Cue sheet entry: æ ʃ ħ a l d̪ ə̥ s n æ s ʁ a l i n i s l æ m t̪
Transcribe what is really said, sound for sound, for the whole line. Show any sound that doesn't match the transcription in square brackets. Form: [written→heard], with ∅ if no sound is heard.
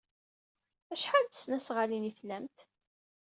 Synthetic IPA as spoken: æ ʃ ħ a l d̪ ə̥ s n æ s ʁ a l i n i [s→θ] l æ m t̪